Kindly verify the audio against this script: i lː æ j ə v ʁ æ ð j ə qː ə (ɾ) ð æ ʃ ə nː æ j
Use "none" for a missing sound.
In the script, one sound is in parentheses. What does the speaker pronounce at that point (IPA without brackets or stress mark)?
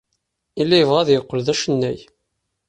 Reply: l